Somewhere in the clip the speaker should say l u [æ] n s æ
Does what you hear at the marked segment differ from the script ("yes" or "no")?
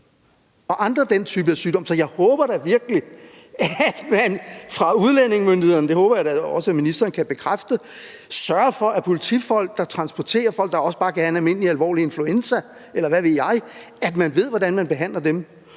yes